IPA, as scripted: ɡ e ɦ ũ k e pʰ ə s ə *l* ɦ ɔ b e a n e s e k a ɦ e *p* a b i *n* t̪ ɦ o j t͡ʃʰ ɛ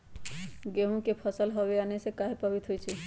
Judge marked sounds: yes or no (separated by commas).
yes, yes, no